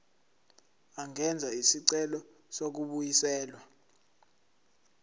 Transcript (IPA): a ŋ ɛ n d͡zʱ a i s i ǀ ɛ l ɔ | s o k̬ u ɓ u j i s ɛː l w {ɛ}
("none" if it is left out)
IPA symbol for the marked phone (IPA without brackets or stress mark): a